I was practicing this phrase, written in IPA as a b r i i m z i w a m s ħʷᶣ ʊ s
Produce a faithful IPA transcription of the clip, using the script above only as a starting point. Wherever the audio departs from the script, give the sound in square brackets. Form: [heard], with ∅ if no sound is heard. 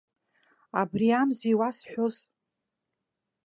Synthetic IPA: a b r i [a] m z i w a [∅] s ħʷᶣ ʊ [z]